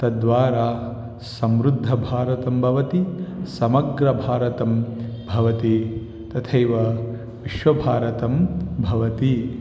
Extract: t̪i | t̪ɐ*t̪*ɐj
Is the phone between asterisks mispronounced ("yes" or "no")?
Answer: yes